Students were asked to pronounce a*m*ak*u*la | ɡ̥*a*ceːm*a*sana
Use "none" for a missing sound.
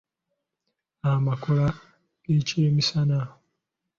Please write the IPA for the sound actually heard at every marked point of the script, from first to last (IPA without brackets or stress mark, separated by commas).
m, o, e, i